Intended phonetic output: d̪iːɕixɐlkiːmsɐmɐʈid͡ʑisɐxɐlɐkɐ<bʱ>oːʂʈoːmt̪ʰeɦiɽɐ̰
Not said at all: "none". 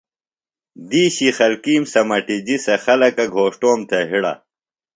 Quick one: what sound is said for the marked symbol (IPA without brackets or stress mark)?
ɡʱ